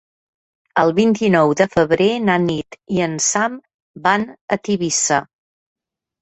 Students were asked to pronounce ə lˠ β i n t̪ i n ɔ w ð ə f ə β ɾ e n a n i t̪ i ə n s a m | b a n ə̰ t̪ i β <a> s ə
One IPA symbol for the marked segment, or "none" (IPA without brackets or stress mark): i